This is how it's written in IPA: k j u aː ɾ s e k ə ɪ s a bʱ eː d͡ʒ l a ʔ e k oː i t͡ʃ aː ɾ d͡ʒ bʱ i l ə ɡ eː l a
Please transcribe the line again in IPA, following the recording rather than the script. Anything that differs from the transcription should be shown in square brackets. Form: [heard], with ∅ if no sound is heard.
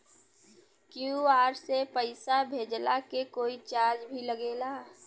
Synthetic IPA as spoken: k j u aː ɾ s e [p] ə ɪ s a bʱ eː d͡ʒ l a [k] e k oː i t͡ʃ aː ɾ d͡ʒ bʱ i l ə ɡ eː l a